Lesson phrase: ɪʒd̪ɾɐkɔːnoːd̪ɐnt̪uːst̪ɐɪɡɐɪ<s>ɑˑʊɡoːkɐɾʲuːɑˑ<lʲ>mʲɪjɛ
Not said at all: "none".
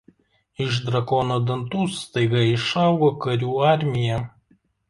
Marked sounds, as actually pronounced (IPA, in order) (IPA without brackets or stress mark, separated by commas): ʃ, ɾʲ